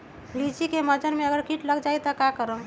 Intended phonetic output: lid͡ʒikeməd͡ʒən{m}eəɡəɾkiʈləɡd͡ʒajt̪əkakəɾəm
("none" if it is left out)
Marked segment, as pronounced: m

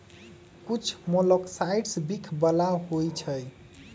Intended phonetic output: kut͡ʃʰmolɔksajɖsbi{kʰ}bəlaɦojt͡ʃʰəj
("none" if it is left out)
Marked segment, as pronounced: kʰ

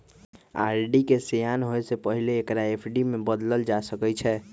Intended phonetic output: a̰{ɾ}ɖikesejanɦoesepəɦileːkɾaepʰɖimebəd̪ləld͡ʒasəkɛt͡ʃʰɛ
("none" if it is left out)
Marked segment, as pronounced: ɾ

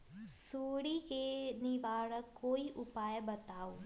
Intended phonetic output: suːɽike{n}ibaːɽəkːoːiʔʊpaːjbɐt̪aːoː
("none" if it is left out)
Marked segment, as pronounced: n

